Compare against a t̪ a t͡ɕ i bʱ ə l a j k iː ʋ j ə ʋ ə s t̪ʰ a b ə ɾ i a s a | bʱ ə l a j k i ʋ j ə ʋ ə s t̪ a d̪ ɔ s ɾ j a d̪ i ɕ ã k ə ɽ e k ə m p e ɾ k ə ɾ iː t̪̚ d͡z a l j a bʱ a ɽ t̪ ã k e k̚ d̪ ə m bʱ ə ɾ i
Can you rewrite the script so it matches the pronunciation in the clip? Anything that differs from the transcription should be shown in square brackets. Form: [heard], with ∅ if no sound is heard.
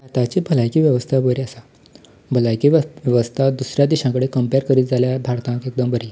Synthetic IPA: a t̪ a t͡ɕ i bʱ ə l a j k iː ʋ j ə ʋ ə s t̪ʰ a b ə ɾ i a s a | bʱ ə l a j k i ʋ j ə ʋ ə s [t̪ʰ] a d̪ [u] s ɾ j a d̪ i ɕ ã k ə ɽ e k ə m p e ɾ k ə ɾ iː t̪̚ d͡z a l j a bʱ a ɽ t̪ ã k e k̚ d̪ ə m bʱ ə ɾ i